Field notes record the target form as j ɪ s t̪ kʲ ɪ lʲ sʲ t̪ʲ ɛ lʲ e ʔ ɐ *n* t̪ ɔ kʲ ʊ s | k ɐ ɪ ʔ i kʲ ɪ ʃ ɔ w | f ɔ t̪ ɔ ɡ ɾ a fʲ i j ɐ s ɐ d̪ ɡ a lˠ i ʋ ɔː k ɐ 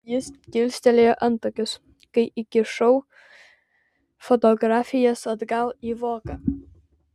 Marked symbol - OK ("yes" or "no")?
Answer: yes